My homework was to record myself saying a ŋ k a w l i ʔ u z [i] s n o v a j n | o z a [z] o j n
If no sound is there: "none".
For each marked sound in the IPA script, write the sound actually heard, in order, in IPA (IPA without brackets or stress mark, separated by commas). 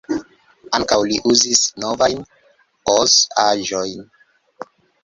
i, ʒ